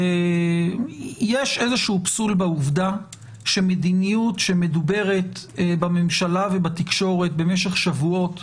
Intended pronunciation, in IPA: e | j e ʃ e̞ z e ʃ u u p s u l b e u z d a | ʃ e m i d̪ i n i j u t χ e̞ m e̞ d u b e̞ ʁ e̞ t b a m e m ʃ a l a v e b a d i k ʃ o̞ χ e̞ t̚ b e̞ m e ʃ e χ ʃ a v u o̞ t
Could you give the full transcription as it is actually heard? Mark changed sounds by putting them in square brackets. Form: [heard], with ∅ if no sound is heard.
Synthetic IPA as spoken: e | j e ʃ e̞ z e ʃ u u p s u l b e u [v] d a | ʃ e m [e] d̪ i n i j u t [ʃ] e̞ m e̞ d u b e̞ ʁ e̞ t b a m e m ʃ a l a v e b a [t] i k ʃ o̞ [ʁ] e̞ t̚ b e̞ m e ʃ e χ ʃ a v u o̞ t

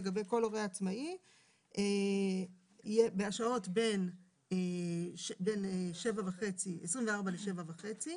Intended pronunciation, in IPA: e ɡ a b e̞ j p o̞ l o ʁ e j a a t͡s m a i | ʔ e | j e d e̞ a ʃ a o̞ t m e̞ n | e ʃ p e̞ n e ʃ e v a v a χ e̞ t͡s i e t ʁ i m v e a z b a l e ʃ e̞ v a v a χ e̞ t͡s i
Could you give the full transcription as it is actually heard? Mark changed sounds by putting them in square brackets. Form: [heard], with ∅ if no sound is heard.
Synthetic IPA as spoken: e ɡ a b e̞ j [k] o̞ l o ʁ e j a a t͡s m a i | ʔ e | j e [b] e̞ a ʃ a o̞ t [b] e̞ n | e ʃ [b] e̞ n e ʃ e v a v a χ e̞ t͡s i e [s] ʁ i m v e a [ʁ] b a l e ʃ e̞ v a v a χ e̞ t͡s i

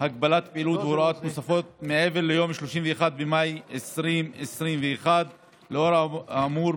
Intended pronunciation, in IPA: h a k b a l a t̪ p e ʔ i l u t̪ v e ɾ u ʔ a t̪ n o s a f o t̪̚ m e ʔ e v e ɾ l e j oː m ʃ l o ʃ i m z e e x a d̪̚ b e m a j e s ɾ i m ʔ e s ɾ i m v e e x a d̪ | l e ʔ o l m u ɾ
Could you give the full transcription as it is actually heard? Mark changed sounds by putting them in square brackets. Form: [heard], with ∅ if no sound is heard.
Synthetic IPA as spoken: h a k b a l a t̪ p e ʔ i l u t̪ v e ɾ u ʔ a t̪ n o s a f o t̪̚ m e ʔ e v e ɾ l e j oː m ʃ l o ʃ i m [v] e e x a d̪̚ b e m a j e s ɾ i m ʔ e s ɾ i m v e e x a d̪ | l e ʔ o [ɾ] m u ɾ

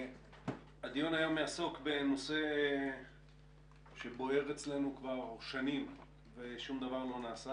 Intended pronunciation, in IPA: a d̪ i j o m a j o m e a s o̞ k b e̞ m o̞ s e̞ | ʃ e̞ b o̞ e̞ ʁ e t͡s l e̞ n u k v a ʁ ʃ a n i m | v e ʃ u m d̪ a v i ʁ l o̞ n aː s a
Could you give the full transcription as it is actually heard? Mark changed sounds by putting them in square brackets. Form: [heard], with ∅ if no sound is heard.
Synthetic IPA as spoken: a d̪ i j o [n] a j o m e a s o̞ k b e̞ [n] o̞ s e̞ | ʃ e̞ b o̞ e̞ ʁ e t͡s l e̞ n u k v a ʁ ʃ a n i m | v e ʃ u m d̪ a v [a] ʁ l o̞ n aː s a

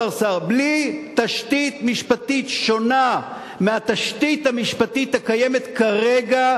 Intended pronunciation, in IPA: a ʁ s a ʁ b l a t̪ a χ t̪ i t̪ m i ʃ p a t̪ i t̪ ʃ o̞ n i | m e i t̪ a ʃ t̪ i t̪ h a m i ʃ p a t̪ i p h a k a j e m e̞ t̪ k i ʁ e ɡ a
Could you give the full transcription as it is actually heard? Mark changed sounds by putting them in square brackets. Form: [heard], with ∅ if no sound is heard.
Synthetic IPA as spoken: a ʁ s a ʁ b l [i] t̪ a [ʃ] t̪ i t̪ m i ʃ p a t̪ i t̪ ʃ o̞ n [a] | m e [a] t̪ a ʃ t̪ i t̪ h a m i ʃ p a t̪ i [t] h a k a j e m e̞ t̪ k [a] ʁ e ɡ a

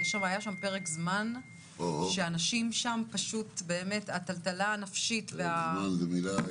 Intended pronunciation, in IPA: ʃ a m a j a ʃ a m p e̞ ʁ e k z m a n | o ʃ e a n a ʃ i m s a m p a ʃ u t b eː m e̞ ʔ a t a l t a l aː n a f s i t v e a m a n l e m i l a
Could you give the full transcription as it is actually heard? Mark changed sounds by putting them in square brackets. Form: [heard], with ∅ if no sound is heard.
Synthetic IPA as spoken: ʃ a m a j a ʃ a m p e̞ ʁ e k z m a n | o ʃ e a n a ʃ i m [ʃ] a m p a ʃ u t b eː m e̞ [t] a t a l t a l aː n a f [ʃ] i t v e a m a n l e m i l a

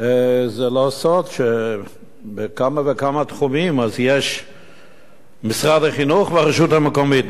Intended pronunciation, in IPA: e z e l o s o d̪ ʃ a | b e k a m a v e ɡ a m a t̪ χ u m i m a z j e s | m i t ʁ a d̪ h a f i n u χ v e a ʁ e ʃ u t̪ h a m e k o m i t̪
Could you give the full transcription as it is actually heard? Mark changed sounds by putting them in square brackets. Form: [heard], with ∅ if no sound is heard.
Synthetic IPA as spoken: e z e l o s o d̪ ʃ [e] | b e k a m a v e [k] a m a t̪ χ u m i m a z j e [ʃ] | m i [s] ʁ a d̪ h a [χ] i n u χ v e a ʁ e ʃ u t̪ h a m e k o m i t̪

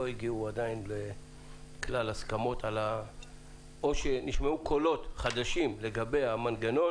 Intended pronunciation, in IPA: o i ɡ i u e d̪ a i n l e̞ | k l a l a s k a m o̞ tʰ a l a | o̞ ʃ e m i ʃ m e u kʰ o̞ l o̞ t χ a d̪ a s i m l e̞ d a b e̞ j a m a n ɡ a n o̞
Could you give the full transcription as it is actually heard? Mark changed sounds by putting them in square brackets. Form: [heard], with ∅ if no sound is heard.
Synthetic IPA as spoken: o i ɡ i u [a] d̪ a i n l e̞ | k l a l a s k a m o̞ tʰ a l a | o̞ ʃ e [n] i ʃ m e u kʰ o̞ l o̞ t χ a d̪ a [ʃ] i m l e̞ [ɡ] a b e̞ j a m a n ɡ a n o̞

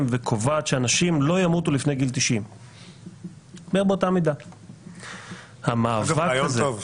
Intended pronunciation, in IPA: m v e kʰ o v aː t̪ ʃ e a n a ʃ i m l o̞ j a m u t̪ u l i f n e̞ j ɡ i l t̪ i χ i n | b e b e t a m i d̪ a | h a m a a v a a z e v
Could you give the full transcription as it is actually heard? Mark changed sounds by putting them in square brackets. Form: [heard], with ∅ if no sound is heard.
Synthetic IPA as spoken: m v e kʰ o v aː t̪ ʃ e a n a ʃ i m l o̞ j a m u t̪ u l i f n e̞ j ɡ i l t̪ i [ʃ] i [m] | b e b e t a m i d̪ a | h a m a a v a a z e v

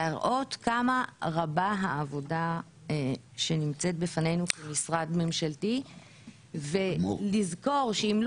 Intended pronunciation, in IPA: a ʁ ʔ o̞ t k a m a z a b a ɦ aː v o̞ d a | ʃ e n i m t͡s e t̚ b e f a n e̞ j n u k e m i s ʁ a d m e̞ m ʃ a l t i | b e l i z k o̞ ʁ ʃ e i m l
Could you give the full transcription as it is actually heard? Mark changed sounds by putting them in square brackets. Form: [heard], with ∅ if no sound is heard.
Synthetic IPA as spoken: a ʁ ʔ o̞ t k a m a [ʁ] a b a ɦ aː v o̞ d a | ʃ e n i m t͡s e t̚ b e f a n e̞ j n u k e m i s ʁ a d m e̞ m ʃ a l t i | [v] e l i z k o̞ ʁ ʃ e i m l

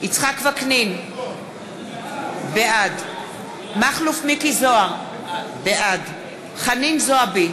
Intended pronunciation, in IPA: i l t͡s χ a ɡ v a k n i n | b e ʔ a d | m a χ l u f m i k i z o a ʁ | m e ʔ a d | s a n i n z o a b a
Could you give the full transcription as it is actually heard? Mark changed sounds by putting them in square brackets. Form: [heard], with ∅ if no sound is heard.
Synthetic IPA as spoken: i [∅] t͡s χ a [k] v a k n i n | b e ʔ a d | m a χ l u f m i k i z o a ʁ | [b] e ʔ a d | [χ] a n i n z o a b [i]

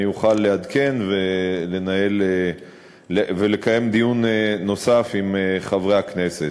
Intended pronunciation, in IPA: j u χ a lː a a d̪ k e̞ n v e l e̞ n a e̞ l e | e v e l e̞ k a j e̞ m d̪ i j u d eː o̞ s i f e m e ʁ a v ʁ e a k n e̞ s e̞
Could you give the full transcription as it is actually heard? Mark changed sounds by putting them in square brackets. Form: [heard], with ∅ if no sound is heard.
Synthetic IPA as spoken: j u χ a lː [e] a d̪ k e̞ n v e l e̞ n a e̞ l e | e v e l e̞ k a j e̞ m d̪ i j u [n] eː o̞ s [a] f [i] m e [χ] a v ʁ e a k n e̞ s e̞

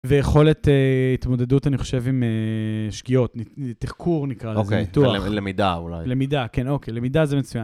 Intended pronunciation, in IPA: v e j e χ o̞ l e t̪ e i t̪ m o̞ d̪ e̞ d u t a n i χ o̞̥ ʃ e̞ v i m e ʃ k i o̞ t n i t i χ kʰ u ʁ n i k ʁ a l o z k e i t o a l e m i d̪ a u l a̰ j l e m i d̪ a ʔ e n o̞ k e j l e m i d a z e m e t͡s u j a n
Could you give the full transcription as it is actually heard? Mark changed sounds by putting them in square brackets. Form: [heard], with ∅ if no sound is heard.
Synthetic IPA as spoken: v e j e χ o̞ l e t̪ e i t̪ m o̞ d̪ e̞ d u t a n i χ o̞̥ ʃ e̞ v i m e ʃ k i o̞ t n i t i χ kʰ u ʁ n i k ʁ a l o z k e i t [u] a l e m i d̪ a u l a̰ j l e m i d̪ a [k] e n o̞ k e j l e m i d a z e m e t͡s u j a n

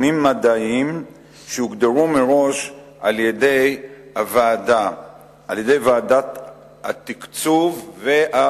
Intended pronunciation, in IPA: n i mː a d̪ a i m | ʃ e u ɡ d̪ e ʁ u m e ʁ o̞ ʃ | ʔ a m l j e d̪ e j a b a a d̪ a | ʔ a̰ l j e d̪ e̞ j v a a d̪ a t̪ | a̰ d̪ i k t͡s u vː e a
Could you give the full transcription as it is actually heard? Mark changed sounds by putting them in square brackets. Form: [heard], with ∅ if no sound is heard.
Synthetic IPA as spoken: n i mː a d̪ a i m | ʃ e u ɡ d̪ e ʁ u m e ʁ o̞ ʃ | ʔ a [∅] l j e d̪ e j a [v] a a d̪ a | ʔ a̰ l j e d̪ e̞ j v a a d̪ a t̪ | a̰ [t̪] i k t͡s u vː e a

